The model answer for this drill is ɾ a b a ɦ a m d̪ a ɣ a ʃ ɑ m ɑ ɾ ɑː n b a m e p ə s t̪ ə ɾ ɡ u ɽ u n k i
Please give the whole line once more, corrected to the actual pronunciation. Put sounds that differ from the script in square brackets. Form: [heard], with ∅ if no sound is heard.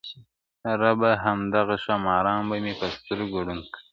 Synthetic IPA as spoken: ɾ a b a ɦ a m d̪ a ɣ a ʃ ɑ m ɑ ɾ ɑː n b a m e p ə s t̪ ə ɾ ɡ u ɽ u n k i